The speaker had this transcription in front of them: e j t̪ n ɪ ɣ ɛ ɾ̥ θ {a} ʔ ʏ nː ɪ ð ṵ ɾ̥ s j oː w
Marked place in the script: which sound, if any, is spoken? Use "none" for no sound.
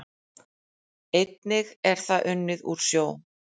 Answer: a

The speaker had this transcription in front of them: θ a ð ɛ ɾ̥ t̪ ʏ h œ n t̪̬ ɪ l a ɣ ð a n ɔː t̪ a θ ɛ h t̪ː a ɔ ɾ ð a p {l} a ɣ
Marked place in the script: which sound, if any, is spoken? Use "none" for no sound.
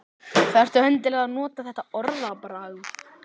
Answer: ɾ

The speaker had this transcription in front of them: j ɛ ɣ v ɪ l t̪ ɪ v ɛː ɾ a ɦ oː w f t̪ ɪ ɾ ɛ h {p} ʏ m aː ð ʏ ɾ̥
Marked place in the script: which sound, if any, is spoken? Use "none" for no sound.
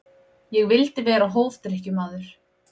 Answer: c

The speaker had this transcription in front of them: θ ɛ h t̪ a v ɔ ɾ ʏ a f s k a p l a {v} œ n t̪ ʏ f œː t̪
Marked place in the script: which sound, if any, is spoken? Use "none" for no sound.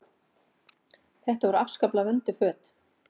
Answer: v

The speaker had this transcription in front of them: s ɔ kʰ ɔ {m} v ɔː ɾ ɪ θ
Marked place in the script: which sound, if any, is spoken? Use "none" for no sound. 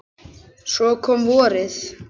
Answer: m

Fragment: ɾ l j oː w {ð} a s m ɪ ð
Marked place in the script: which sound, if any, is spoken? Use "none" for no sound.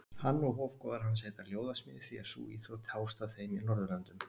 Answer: ð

